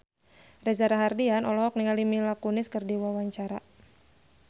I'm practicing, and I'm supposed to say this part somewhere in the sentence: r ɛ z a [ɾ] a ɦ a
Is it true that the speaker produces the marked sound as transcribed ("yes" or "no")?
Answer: yes